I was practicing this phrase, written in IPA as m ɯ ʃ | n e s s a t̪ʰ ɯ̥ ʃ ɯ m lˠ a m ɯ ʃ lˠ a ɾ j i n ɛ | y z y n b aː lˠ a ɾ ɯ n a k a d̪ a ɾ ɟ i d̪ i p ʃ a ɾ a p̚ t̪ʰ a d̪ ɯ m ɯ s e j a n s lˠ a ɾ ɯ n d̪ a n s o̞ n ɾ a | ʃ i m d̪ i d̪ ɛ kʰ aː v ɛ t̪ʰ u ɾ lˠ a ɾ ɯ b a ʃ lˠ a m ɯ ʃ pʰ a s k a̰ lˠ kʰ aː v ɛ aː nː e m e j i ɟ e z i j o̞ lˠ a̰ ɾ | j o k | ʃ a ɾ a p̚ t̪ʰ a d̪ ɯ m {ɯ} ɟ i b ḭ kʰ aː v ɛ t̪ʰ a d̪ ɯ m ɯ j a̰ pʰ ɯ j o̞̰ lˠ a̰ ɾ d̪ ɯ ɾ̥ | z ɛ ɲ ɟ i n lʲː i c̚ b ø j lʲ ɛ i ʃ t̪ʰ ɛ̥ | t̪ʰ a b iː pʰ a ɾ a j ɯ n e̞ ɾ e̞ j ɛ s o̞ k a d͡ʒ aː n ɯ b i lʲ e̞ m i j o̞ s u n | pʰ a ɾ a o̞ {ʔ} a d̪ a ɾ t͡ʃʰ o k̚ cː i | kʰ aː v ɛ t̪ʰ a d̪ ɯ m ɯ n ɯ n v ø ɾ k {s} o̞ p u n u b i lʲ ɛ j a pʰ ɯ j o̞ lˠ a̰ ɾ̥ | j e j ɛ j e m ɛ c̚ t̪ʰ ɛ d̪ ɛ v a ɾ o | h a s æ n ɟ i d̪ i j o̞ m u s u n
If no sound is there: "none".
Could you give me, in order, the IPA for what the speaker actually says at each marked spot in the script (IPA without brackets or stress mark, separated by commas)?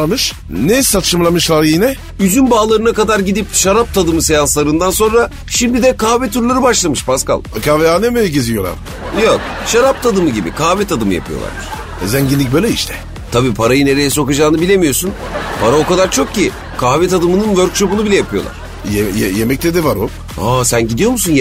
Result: ɯ, k, ʃ